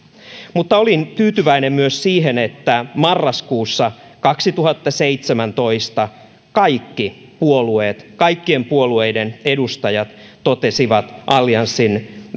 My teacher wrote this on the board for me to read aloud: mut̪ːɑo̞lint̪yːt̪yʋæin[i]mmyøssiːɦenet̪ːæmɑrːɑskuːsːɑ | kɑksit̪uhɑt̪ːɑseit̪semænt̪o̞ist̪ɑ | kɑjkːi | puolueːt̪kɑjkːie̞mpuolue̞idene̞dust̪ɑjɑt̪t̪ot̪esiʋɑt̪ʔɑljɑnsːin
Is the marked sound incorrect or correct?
incorrect